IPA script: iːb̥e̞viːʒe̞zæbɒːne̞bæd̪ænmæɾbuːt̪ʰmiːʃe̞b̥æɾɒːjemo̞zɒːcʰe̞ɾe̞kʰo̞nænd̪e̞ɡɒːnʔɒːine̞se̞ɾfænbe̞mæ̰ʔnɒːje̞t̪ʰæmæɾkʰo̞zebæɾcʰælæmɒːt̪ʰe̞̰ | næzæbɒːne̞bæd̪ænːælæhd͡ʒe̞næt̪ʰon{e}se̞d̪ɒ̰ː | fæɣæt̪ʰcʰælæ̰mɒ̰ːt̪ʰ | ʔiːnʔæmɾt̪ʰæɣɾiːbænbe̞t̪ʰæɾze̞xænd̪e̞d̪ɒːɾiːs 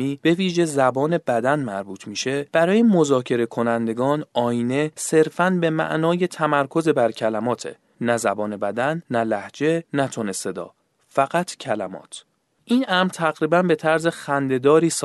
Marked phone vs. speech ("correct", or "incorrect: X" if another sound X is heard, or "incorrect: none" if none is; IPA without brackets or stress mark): correct